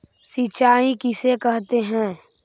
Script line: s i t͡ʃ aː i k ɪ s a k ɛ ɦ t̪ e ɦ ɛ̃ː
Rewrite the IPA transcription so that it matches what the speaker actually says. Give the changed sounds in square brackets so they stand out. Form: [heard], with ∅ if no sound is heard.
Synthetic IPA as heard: s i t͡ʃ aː i k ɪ s [e] k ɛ ɦ t̪ e ɦ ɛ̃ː